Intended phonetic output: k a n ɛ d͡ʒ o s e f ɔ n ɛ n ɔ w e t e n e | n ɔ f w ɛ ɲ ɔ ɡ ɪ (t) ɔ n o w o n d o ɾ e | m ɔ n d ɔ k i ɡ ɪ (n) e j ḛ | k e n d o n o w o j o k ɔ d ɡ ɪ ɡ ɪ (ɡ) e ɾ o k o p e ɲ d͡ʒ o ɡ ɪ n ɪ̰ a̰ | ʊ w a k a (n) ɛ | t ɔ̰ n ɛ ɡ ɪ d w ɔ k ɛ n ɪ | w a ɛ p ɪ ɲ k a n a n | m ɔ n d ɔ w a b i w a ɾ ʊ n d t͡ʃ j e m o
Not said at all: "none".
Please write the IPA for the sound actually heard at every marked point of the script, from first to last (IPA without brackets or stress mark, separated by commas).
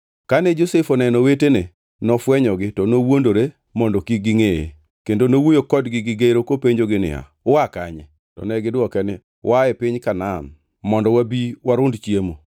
t, ŋ, ɡ, ɲ